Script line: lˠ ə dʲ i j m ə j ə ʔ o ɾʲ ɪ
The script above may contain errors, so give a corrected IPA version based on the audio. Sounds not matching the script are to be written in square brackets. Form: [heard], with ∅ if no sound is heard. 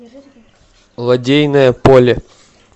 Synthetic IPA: lˠ [ɐ] dʲ [e] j [n] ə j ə [p] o [lʲ] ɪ